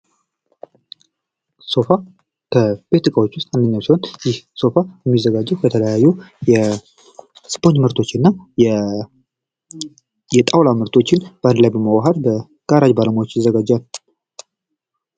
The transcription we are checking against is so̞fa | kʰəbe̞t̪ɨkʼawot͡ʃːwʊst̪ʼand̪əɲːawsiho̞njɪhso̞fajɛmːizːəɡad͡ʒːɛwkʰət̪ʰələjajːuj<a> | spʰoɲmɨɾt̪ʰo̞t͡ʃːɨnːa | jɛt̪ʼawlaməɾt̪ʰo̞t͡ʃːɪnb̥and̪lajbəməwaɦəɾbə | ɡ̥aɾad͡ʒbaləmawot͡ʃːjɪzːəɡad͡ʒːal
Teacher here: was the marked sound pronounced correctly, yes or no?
no